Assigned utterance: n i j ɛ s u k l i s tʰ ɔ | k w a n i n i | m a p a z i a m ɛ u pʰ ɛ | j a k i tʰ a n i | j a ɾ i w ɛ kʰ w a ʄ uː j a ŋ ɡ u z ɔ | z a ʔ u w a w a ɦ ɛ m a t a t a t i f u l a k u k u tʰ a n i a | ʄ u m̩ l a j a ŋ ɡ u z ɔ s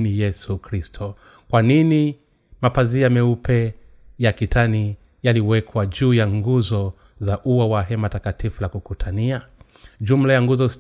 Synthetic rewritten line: n i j ɛ s u k ɾ i s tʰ ɔ | k w a n i n i | m a p a z i a m ɛ u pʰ ɛ | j a k i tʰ a n i | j a l i w ɛ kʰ w a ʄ uː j a ŋ ɡ u z ɔ | z a ʔ u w a w a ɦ ɛ m a t a k a t i f u l a k u k u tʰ a n i a | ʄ u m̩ l a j a ŋ ɡ u z ɔ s